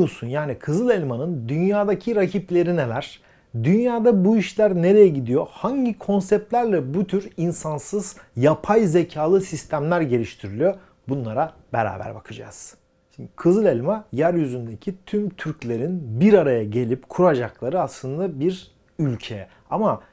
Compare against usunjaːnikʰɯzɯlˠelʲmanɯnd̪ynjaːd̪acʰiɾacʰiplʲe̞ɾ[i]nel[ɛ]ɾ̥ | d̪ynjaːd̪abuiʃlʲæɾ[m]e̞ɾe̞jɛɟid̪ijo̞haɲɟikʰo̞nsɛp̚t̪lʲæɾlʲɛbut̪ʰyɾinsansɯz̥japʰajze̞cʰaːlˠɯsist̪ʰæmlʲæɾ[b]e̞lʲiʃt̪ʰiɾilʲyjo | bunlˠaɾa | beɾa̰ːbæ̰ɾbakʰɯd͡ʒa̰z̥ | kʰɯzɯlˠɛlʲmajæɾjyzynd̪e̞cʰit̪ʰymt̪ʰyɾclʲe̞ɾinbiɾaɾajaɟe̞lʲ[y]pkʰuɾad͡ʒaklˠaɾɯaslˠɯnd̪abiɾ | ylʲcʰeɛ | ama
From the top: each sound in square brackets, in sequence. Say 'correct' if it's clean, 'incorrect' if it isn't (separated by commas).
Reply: correct, incorrect, incorrect, incorrect, incorrect